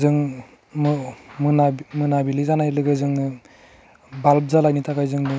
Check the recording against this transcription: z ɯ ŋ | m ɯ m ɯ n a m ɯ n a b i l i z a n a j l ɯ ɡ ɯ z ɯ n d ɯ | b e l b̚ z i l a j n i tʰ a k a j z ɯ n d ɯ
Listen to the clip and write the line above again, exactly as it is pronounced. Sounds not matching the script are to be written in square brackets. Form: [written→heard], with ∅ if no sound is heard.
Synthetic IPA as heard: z ɯ ŋ | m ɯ m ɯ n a m ɯ n a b i l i z a n a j l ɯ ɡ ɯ z ɯ [n→ŋ] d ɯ | b [e→a] l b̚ z [i→a] l a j n i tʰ a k a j z ɯ [n→ŋ] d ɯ